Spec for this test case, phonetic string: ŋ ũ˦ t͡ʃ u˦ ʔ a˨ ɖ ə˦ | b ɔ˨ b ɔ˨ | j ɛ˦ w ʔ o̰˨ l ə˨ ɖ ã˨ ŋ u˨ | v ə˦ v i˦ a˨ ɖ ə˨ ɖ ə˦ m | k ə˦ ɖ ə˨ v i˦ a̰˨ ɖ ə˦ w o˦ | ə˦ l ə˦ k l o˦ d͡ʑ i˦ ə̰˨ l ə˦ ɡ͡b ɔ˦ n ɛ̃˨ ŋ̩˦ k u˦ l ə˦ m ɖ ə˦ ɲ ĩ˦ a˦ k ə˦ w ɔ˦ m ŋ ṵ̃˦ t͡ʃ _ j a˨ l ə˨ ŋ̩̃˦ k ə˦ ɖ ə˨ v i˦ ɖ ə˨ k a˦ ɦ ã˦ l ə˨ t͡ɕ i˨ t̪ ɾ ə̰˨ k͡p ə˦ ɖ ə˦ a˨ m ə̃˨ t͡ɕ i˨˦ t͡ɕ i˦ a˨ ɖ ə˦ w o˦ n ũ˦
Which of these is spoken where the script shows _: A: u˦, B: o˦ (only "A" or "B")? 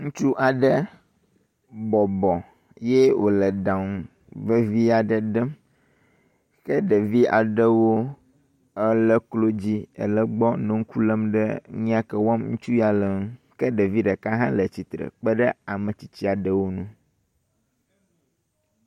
A